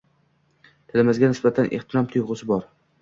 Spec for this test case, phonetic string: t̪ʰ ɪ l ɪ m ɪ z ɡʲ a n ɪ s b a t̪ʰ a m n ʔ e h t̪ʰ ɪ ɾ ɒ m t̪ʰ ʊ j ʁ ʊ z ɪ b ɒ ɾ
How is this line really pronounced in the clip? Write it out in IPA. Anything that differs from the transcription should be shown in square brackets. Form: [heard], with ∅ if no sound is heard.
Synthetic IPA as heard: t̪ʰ ɪ l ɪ m ɪ z ɡʲ a n ɪ s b a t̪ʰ a [∅] n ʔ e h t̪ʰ ɪ ɾ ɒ m t̪ʰ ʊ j ʁ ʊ [s] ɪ b ɒ ɾ